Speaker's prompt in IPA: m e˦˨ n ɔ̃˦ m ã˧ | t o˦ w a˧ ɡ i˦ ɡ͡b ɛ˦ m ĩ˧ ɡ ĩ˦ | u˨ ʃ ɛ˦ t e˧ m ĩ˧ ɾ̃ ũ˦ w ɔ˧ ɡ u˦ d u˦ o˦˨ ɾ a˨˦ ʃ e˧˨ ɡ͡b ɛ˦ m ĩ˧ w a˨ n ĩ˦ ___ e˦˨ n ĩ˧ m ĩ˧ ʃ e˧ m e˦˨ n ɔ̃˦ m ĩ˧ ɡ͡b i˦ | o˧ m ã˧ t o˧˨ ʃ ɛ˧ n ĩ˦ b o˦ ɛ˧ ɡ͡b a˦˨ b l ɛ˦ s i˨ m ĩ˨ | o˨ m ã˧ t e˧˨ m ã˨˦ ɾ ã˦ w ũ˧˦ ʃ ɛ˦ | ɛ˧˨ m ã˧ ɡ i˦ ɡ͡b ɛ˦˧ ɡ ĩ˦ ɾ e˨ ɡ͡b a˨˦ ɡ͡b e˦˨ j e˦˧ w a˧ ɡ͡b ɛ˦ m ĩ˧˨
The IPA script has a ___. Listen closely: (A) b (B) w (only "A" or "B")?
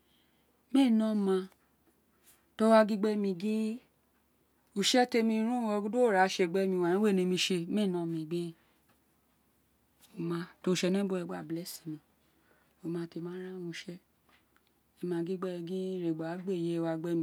B